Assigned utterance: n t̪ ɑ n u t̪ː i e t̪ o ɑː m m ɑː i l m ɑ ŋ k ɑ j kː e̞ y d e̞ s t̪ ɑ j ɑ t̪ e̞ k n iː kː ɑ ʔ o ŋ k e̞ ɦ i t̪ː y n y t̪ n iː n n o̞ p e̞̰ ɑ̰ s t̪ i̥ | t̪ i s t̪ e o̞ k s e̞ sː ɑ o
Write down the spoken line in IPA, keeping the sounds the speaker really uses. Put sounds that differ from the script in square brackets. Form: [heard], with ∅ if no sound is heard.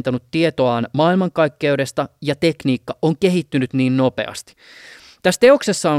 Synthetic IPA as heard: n t̪ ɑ n u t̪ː i e t̪ o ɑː [n] m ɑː i l m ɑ ŋ k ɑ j kː e̞ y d e̞ s t̪ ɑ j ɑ t̪ e̞ k n iː kː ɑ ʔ o ŋ k e̞ ɦ i t̪ː y n y t̪ n iː n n o̞ p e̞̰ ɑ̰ s t̪ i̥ | t̪ [æ] s t̪ e o̞ k s e̞ sː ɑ o